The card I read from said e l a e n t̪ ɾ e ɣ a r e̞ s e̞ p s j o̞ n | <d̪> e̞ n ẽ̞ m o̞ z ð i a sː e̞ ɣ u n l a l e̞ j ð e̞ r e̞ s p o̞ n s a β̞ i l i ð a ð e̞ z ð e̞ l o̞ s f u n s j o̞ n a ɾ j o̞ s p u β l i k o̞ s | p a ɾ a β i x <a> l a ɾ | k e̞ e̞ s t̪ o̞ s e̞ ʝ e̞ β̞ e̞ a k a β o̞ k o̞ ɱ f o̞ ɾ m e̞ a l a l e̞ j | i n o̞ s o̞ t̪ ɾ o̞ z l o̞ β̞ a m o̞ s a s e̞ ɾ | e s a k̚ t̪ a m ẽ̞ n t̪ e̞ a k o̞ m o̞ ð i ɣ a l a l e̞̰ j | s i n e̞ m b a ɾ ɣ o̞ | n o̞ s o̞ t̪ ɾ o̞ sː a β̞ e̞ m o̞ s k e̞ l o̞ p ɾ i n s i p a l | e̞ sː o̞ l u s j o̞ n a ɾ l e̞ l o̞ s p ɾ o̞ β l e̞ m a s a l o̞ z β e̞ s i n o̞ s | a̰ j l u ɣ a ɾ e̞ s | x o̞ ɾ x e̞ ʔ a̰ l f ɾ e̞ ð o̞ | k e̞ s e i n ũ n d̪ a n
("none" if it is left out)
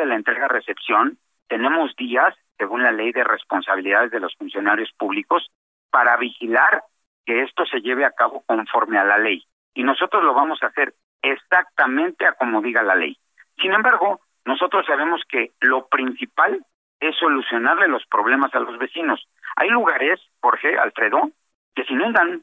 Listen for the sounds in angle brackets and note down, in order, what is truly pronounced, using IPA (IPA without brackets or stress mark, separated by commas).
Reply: t̪, i